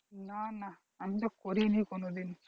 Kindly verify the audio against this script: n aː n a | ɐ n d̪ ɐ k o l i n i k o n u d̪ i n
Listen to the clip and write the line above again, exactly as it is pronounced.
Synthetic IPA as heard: n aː n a | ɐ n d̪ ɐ k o ɾ i n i k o n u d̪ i n